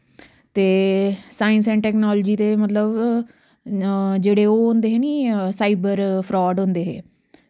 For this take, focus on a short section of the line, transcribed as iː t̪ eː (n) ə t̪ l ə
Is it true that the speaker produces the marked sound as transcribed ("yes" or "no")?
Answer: no